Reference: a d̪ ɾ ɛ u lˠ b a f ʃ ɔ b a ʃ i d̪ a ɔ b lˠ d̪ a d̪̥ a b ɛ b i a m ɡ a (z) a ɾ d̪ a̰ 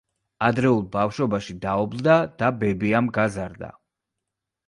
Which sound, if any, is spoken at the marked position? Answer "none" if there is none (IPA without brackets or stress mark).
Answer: z